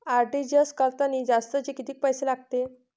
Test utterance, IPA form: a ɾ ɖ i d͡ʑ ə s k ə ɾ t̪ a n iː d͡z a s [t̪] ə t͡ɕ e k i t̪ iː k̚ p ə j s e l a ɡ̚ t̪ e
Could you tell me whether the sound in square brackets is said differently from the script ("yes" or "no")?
no